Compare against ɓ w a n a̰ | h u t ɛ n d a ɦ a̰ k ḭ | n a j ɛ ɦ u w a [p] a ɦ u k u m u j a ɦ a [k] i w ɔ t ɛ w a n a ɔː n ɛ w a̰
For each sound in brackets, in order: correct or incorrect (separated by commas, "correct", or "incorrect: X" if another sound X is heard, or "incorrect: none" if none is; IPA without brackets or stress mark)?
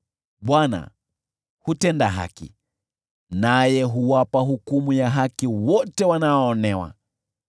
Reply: correct, correct